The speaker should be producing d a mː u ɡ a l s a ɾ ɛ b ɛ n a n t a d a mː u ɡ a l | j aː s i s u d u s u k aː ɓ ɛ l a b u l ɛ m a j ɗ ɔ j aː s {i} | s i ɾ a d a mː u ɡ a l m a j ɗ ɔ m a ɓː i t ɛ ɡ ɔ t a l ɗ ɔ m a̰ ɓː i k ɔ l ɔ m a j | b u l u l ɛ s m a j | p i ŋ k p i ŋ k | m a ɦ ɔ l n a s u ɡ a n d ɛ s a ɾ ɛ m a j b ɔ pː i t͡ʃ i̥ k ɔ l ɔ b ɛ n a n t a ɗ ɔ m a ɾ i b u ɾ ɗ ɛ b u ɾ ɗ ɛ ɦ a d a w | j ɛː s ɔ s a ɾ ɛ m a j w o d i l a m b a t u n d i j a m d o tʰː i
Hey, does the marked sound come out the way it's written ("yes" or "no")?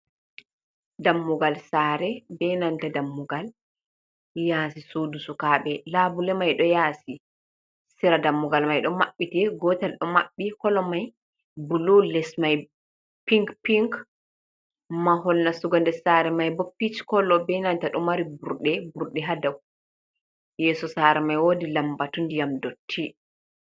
yes